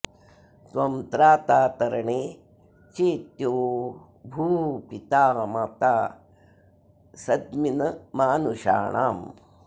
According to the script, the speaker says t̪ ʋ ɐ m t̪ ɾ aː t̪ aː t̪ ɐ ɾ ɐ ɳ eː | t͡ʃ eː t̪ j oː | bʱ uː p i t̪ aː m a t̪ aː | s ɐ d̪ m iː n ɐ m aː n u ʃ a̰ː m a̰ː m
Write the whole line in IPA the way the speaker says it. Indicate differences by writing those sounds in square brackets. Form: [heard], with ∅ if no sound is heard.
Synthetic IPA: t̪ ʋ ɐ m t̪ ɾ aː t̪ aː t̪ ɐ ɾ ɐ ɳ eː | t͡ʃ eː t̪ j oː | bʱ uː p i t̪ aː m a t̪ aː | s ɐ d̪ m [i] n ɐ m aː n u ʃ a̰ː [ɳ] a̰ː m